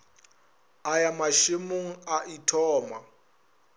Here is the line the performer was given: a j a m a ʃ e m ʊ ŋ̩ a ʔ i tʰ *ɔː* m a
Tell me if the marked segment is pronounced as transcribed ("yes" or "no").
yes